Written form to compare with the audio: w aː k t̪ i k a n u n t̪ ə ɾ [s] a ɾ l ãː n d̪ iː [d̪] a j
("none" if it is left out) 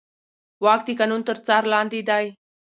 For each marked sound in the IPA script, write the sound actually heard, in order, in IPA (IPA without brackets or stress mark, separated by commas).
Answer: t͡s, d̪